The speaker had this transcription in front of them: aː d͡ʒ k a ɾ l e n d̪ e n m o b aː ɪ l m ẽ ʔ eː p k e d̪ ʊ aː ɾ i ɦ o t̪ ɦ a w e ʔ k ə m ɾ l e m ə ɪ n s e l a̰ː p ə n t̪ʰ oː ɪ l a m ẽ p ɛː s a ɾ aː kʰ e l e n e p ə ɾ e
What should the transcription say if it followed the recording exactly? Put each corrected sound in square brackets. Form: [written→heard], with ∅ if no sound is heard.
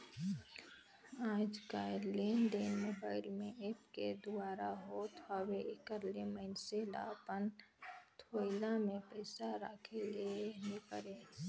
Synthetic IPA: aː d͡ʒ k a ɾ l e n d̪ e n m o b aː ɪ l m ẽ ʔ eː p k e d̪ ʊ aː ɾ [i→a] ɦ o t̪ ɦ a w e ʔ k ə [m→∅] ɾ l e m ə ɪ n s e l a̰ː p ə n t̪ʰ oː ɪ l a m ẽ p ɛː s a ɾ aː kʰ e l e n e p ə ɾ e